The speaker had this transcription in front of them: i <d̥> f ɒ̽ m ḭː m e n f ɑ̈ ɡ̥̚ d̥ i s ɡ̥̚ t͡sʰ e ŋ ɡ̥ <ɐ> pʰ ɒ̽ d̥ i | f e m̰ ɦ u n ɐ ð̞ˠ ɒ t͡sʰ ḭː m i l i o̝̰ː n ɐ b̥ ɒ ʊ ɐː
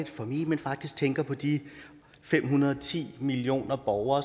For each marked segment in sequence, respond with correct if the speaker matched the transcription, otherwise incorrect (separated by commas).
correct, correct